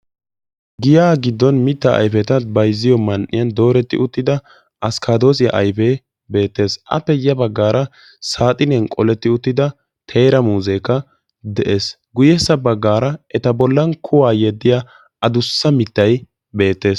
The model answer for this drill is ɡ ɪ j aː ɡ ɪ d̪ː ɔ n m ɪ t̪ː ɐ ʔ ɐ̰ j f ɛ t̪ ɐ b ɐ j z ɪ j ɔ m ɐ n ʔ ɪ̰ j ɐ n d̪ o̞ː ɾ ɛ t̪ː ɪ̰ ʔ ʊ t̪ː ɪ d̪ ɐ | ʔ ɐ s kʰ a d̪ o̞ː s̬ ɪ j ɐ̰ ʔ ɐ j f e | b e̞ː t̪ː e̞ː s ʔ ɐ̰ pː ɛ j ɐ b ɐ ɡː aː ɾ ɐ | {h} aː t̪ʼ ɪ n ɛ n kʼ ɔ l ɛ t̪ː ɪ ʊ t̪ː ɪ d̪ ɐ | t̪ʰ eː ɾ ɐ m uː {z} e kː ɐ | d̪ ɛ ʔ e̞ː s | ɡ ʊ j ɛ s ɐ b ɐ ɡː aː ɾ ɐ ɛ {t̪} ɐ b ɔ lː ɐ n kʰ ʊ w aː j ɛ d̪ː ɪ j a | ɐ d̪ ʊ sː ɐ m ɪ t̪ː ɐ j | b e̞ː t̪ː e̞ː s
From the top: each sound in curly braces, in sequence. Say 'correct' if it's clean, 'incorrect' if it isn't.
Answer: incorrect: s, correct, correct

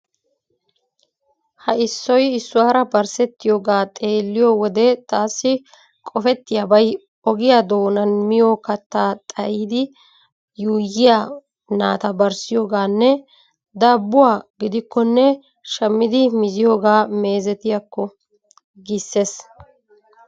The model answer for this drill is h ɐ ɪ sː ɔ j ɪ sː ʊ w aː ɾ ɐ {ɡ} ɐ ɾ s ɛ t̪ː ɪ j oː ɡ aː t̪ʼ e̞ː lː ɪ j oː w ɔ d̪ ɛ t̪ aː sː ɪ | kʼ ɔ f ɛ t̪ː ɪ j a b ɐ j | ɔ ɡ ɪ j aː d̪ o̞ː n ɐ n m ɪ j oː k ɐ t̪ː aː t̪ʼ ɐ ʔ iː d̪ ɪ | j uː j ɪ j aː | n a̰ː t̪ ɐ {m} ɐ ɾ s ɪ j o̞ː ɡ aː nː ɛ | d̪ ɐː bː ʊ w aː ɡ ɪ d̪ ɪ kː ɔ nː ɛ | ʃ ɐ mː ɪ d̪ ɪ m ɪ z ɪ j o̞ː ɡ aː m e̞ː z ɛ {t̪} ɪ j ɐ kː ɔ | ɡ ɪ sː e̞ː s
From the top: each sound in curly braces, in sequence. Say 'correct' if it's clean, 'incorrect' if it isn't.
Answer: incorrect: b, incorrect: b, correct

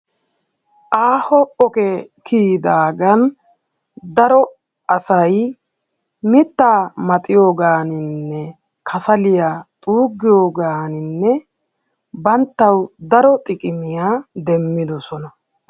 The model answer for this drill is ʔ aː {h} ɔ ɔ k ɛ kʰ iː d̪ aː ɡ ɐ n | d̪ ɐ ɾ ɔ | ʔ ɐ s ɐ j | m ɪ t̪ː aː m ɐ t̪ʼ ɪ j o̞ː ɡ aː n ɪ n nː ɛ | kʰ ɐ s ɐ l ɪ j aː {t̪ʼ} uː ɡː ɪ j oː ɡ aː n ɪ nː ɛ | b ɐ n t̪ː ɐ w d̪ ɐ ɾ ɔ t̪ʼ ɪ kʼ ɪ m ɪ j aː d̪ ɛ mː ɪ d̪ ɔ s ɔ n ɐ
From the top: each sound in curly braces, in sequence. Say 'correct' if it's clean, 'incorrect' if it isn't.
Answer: correct, correct

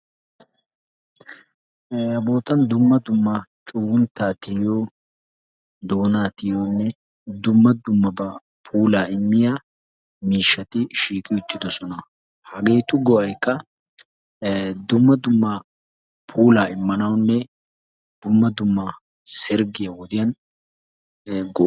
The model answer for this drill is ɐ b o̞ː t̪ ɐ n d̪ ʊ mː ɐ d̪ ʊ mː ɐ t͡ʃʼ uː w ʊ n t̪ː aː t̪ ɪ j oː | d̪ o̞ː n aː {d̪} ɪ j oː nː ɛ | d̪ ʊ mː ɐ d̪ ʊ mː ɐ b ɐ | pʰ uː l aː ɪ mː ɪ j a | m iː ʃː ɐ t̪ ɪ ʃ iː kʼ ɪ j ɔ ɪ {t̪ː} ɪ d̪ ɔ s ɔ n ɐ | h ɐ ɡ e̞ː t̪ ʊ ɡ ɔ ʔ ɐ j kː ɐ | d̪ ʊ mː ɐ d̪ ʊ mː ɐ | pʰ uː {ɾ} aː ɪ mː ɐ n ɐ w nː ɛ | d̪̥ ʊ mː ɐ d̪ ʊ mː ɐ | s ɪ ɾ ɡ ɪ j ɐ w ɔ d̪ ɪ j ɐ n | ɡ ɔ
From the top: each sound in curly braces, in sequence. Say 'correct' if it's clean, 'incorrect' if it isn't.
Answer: incorrect: t̪, correct, incorrect: l

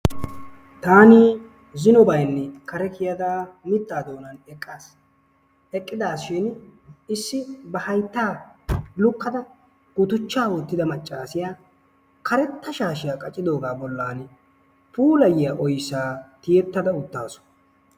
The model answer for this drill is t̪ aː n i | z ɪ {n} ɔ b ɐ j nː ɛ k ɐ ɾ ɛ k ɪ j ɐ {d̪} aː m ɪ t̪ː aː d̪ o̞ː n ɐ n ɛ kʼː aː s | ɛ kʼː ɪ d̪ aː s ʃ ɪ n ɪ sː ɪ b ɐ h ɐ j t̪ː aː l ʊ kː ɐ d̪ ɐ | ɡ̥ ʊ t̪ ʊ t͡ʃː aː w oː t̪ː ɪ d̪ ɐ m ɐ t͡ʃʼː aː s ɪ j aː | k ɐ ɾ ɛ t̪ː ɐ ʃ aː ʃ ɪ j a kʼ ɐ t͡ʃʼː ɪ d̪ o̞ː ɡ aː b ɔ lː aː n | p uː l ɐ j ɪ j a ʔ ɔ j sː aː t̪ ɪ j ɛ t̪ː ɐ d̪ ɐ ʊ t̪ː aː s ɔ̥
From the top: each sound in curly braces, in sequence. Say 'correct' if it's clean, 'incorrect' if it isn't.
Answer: correct, correct

